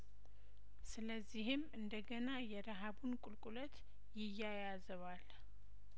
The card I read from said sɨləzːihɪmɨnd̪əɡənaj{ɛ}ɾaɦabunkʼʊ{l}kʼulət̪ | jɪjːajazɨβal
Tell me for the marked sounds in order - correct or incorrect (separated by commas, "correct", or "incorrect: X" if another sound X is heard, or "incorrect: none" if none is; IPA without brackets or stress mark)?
correct, correct